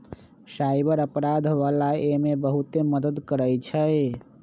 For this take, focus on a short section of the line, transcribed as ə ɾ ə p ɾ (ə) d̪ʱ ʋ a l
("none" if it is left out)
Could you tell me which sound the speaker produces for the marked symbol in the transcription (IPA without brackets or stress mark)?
a